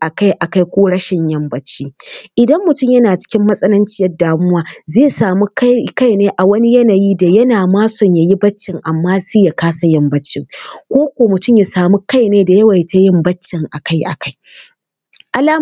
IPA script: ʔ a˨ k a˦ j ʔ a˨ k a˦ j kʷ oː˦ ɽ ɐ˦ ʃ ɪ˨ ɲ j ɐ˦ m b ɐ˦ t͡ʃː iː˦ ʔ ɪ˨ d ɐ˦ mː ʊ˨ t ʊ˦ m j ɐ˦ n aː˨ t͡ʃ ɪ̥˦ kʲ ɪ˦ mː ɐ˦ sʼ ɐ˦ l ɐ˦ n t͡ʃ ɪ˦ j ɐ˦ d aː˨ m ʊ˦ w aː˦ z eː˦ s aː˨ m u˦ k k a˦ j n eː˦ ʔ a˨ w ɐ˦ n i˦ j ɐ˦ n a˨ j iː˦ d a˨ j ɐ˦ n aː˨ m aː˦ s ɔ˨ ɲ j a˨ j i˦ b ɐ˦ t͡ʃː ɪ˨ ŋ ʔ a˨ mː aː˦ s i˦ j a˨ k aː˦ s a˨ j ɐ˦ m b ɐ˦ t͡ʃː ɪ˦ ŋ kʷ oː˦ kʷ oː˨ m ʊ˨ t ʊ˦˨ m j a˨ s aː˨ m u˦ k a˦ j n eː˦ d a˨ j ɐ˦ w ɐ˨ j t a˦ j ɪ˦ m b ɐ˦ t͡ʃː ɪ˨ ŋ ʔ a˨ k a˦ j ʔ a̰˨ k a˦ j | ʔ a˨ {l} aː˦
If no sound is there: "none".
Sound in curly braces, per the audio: l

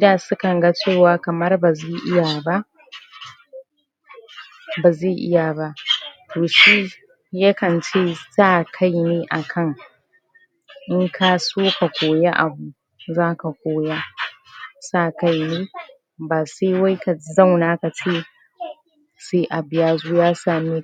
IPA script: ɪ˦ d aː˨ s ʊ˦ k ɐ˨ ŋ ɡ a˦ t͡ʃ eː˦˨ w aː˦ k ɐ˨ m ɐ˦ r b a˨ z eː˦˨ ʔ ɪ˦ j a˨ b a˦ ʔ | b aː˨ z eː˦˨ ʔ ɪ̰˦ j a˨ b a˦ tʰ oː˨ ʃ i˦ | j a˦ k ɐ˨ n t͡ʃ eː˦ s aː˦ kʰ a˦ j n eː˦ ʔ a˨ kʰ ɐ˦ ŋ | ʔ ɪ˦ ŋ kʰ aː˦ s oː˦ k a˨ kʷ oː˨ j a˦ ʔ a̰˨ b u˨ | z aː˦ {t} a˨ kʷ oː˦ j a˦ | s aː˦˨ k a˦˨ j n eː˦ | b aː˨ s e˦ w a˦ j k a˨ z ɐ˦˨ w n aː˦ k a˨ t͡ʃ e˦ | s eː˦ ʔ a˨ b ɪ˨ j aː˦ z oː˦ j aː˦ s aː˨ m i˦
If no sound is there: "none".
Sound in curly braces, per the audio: k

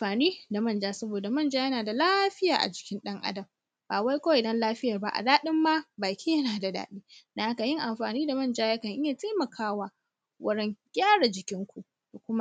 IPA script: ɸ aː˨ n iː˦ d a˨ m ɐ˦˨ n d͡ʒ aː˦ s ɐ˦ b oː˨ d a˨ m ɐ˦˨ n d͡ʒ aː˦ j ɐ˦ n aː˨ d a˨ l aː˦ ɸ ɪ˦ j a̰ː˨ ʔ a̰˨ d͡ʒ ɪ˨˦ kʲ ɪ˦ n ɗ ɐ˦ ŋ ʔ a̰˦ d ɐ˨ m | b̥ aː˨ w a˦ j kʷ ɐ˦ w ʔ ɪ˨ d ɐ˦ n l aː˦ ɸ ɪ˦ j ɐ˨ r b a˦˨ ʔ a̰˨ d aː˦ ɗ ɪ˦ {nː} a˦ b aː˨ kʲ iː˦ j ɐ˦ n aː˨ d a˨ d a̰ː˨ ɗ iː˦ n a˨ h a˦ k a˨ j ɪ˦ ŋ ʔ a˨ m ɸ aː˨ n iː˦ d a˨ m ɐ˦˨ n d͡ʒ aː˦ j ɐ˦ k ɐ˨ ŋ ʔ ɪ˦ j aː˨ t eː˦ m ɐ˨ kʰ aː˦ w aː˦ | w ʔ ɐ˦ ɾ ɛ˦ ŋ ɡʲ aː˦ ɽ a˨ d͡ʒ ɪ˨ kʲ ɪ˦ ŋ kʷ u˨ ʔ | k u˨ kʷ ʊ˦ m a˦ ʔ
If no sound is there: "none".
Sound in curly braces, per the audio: mː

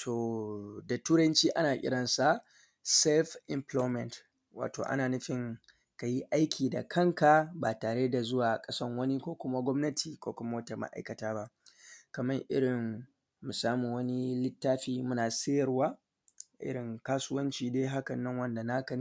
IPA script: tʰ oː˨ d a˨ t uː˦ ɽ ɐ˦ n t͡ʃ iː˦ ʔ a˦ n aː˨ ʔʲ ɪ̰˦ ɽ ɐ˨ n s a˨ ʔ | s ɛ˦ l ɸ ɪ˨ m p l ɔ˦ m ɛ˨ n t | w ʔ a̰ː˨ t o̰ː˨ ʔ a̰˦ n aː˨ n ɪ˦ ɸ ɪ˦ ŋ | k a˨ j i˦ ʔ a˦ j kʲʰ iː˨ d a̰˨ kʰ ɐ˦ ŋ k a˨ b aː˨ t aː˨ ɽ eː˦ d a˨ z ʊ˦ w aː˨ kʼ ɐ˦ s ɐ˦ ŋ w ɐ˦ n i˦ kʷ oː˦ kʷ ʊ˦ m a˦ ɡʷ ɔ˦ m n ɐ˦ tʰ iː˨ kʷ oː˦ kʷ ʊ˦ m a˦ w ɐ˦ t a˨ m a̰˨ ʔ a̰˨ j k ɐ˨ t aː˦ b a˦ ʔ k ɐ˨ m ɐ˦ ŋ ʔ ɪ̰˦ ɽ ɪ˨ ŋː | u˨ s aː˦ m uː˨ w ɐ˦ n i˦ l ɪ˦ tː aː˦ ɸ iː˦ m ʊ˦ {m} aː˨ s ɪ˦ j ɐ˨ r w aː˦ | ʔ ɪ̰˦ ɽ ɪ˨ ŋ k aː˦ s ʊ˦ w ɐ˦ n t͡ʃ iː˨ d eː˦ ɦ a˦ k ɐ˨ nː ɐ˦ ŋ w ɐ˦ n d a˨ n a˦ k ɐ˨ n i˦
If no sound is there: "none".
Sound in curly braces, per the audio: n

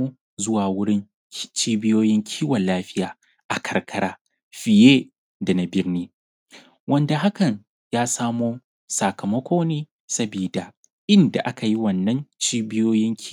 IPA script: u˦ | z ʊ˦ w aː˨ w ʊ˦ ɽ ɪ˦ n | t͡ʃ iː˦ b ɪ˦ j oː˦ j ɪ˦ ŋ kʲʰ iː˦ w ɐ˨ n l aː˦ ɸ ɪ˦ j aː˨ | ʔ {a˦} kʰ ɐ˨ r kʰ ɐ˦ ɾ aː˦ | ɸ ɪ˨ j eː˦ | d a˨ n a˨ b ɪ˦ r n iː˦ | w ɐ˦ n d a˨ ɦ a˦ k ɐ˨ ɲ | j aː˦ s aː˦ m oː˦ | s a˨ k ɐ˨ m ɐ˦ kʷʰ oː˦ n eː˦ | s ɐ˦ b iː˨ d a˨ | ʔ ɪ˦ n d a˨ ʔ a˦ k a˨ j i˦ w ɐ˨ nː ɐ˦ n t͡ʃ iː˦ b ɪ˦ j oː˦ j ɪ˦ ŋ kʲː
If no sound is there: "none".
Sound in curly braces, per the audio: a˨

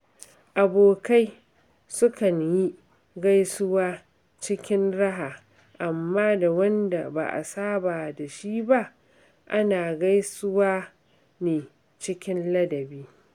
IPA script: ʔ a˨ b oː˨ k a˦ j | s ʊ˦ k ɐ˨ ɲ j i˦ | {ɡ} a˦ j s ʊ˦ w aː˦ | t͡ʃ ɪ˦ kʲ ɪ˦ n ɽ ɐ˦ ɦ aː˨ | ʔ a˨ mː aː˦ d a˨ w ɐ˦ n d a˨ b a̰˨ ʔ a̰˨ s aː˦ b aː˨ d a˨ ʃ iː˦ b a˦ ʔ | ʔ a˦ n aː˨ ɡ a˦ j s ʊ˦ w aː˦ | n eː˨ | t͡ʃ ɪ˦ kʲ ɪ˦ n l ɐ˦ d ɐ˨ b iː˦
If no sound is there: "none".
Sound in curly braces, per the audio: ɡ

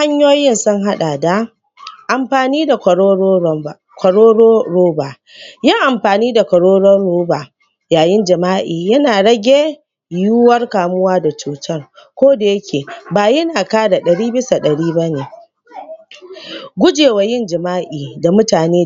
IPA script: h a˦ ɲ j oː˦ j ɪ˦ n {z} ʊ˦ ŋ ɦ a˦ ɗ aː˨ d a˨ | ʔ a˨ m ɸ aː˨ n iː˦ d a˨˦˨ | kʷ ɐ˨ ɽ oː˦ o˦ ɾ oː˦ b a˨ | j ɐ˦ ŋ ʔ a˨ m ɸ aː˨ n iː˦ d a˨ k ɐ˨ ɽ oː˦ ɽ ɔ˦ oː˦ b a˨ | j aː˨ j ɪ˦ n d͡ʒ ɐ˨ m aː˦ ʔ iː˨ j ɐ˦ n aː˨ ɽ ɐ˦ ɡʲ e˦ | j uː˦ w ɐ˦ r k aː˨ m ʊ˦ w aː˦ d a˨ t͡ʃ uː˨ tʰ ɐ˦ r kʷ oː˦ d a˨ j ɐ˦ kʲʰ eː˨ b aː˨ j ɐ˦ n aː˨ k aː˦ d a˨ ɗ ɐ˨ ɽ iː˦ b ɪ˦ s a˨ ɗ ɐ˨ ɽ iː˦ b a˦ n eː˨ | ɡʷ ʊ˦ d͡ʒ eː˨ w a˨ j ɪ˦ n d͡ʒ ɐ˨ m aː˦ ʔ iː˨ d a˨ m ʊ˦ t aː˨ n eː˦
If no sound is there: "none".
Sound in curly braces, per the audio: s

